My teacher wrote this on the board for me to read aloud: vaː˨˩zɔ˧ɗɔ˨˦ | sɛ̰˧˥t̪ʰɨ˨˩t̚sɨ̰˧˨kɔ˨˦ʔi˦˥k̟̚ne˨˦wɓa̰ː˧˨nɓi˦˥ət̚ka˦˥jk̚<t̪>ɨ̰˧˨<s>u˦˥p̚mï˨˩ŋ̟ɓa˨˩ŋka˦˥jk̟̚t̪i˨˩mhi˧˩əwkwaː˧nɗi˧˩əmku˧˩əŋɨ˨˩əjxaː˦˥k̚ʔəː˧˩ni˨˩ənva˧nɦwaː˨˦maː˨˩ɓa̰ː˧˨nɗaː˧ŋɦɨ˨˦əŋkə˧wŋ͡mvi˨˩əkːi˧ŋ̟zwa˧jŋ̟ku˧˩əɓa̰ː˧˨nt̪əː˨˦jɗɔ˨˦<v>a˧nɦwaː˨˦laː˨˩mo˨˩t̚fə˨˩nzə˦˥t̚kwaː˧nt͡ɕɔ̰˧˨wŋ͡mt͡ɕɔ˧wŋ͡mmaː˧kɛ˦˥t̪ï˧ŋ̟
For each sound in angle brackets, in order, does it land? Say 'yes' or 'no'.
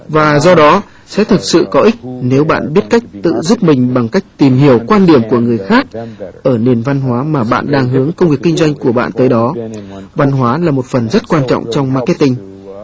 yes, no, yes

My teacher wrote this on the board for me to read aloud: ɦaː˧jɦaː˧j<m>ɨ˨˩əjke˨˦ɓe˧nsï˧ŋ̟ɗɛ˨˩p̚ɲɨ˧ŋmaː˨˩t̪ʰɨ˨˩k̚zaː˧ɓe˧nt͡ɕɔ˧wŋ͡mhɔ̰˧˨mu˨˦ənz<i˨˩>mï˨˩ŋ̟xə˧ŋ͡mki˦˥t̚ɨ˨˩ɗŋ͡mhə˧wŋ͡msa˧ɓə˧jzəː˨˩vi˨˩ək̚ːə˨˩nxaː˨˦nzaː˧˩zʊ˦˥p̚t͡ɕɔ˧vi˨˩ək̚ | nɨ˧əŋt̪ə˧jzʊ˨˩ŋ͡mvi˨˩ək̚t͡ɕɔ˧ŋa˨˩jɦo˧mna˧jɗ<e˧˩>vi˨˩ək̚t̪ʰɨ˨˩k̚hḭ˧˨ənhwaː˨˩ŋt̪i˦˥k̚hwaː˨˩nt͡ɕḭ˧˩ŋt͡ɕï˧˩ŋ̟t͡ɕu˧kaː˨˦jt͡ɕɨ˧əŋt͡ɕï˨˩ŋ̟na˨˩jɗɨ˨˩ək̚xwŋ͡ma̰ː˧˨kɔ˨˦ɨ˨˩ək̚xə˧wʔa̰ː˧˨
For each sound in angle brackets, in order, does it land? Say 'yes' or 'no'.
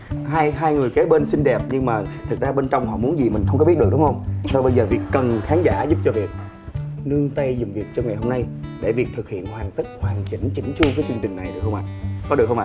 no, yes, yes

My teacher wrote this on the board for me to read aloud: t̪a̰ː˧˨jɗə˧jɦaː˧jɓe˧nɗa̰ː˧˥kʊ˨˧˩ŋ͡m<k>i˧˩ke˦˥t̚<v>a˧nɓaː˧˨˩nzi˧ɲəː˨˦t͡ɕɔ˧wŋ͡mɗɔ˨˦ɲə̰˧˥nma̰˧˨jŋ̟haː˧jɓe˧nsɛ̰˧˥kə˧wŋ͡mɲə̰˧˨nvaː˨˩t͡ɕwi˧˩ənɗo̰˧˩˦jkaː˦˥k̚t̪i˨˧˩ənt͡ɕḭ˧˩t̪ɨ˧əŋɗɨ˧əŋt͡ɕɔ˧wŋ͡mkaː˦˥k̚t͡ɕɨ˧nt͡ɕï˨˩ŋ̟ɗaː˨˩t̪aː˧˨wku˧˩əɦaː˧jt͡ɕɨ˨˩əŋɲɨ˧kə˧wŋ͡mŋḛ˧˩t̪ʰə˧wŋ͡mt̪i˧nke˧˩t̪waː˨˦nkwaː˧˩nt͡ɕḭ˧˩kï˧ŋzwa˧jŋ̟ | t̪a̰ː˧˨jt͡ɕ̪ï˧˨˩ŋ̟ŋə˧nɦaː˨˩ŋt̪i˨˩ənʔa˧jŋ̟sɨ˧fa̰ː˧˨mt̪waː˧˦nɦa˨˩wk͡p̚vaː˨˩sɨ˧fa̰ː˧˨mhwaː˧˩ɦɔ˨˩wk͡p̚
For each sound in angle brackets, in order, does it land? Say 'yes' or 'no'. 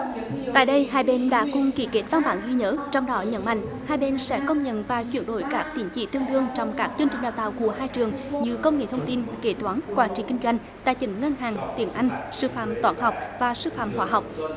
yes, yes

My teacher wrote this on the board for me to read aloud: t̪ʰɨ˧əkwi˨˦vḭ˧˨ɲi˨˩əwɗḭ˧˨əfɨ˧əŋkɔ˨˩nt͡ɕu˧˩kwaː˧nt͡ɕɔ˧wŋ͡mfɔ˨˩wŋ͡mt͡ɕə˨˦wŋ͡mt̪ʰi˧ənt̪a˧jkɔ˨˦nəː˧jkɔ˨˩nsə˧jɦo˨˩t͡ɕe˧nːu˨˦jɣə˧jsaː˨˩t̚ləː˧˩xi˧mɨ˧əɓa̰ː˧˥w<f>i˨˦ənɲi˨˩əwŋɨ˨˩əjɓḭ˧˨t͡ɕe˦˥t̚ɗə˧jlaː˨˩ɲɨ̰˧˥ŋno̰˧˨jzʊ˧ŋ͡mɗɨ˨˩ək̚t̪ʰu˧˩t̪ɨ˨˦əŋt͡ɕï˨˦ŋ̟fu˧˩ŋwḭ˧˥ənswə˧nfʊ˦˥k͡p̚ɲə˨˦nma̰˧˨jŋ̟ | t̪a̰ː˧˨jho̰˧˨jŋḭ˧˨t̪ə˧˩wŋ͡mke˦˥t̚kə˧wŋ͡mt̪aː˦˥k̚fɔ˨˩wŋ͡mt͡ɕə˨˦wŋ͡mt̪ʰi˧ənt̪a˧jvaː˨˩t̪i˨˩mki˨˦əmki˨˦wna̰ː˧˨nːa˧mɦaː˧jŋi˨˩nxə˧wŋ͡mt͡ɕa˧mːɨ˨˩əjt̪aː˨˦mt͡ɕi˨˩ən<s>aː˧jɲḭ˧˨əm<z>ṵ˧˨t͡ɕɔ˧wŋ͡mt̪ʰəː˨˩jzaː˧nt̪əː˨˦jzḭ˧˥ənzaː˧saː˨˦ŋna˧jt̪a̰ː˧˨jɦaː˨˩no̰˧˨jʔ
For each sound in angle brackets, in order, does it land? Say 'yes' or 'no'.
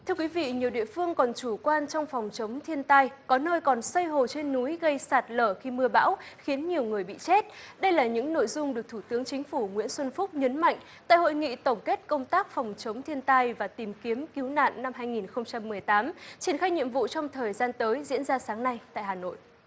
no, no, no

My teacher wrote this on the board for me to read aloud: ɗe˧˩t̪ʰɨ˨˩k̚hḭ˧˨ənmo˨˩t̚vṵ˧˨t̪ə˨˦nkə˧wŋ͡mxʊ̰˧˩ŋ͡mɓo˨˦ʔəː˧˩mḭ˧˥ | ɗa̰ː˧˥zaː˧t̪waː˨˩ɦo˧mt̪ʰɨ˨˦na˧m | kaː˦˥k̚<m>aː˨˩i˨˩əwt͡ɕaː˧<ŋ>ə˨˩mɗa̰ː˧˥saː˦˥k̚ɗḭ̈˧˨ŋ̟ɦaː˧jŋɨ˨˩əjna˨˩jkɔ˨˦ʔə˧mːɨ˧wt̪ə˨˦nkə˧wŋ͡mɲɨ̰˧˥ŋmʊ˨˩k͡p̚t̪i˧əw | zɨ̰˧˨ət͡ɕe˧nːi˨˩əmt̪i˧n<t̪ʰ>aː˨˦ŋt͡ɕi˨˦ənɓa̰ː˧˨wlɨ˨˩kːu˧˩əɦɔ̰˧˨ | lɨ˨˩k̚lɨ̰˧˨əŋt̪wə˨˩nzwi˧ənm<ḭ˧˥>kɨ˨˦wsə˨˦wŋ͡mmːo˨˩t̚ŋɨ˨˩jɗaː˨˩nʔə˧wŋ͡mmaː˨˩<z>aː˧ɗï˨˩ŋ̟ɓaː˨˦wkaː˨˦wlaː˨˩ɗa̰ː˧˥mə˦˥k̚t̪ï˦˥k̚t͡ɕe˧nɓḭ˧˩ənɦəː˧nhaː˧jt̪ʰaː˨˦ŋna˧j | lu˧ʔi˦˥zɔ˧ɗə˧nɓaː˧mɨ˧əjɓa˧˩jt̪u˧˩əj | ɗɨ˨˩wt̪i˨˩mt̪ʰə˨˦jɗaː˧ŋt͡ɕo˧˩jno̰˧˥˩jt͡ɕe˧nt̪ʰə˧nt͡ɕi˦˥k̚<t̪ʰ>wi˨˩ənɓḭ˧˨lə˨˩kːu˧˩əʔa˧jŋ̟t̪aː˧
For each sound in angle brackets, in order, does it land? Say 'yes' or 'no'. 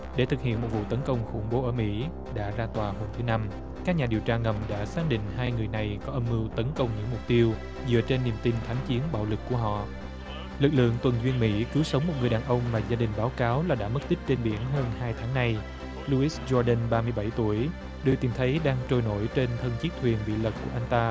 no, yes, yes, yes, yes, yes

